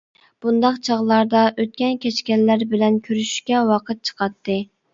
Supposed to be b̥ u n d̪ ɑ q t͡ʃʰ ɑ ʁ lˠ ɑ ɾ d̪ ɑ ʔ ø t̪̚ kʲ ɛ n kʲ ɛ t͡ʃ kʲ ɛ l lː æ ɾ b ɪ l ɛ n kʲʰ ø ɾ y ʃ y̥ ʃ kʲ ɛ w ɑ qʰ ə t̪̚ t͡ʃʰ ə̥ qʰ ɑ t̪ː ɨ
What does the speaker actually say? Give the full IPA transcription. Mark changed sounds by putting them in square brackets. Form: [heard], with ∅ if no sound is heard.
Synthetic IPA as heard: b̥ u n d̪ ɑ q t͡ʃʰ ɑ ʁ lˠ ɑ ɾ d̪ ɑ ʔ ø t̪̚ kʲ ɛ n kʲ ɛ t͡ʃ kʲ ɛ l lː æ ɾ b ɪ l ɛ n kʲʰ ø ɾ y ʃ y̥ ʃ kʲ ɛ w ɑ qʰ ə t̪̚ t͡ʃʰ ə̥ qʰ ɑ t̪ː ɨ